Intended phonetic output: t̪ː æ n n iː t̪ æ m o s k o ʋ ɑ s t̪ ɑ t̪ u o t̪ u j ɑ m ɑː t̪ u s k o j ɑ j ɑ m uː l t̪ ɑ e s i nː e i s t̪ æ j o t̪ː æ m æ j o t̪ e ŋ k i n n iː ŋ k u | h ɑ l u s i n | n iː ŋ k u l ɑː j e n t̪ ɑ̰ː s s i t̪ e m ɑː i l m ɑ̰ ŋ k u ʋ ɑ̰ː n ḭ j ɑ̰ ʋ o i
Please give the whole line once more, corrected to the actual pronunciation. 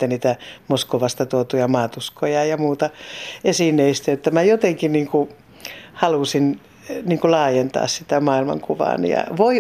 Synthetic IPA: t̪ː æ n n iː t̪ æ m o s k o ʋ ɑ s t̪ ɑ t̪ u o t̪ u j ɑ m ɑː t̪ u s k o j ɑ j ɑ m uː t̪ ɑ e s i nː e i s t̪ æ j o t̪ː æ m æ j o t̪ e ŋ k i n n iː ŋ k u | h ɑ l u s i n | n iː ŋ k u l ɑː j e n t̪ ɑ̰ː s s i t̪ æ m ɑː i l m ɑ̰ ŋ k u ʋ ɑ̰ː n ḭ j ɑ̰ ʋ o i